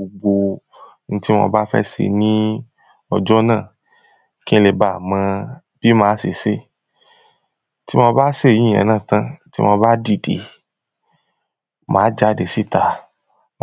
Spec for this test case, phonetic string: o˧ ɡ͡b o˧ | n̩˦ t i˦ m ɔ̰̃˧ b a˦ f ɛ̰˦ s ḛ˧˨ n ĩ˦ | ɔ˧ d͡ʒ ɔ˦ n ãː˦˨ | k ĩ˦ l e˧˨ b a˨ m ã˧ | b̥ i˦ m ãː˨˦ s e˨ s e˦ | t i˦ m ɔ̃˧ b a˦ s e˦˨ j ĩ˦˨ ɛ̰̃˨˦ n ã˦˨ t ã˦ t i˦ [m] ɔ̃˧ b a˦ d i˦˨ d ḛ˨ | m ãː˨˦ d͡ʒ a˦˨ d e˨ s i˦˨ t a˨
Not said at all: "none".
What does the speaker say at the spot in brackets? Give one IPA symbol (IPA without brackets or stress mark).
m